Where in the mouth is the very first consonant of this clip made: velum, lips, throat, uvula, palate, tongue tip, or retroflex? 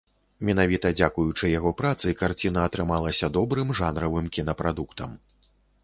lips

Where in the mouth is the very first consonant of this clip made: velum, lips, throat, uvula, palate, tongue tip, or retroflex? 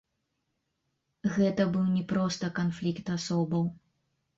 velum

